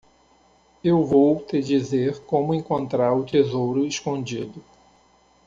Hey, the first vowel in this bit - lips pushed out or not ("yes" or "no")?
no